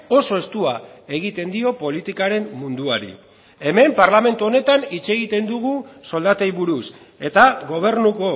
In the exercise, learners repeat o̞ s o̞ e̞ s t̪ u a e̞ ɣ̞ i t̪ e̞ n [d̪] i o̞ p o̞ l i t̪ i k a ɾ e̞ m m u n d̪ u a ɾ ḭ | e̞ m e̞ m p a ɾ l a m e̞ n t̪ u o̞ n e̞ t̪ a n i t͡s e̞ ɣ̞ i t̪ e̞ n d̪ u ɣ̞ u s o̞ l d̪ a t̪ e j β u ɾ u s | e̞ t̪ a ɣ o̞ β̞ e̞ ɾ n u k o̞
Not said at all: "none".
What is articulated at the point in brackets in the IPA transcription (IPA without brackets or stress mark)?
d̪